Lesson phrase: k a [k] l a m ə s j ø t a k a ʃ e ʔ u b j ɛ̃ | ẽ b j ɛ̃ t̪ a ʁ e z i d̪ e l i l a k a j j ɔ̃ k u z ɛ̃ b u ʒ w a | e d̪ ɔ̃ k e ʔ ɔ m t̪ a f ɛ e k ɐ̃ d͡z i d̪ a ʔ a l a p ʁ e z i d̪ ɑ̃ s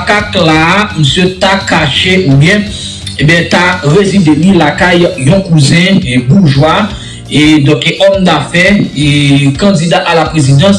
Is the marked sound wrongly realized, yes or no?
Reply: no